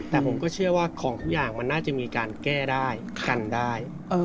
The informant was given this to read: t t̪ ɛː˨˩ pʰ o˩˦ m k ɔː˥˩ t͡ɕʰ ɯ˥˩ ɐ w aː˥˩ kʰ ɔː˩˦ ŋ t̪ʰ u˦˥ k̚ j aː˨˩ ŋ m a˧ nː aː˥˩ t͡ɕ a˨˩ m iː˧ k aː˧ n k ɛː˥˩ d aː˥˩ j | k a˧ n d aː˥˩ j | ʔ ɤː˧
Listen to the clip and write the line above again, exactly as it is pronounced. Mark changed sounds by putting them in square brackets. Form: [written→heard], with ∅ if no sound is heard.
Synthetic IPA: t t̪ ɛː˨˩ pʰ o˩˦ m k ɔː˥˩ t͡ɕʰ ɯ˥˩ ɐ w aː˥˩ kʰ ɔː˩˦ ŋ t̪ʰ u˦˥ k̚ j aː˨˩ ŋ m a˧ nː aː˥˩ t͡ɕ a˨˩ m iː˧ k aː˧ n k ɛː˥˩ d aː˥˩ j | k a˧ n d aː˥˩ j | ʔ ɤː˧